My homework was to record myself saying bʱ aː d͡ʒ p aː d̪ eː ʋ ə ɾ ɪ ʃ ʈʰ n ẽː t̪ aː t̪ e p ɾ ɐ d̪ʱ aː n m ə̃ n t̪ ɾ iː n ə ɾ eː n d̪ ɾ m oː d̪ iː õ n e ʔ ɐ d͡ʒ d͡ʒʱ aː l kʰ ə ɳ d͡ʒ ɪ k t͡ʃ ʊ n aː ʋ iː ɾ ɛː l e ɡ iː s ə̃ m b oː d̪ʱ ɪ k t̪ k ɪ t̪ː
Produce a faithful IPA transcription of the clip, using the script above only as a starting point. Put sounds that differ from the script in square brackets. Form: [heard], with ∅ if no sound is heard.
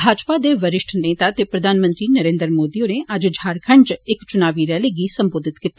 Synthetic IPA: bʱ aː d͡ʒ p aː d̪ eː ʋ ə ɾ ɪ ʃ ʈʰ n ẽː t̪ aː t̪ e p ɾ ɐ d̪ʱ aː n m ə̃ n t̪ ɾ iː n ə ɾ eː n d̪ ɾ m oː d̪ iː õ n e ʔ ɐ d͡ʒ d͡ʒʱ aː [ɾ] kʰ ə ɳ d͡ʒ ɪ k t͡ʃ ʊ n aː ʋ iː ɾ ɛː l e ɡ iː s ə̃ m b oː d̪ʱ ɪ [∅] t̪ k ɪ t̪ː